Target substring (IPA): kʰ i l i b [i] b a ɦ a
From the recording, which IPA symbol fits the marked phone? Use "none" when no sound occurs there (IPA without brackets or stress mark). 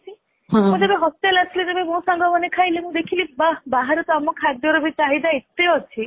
a